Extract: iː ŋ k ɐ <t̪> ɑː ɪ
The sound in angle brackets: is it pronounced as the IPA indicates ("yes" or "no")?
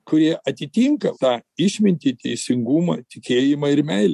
yes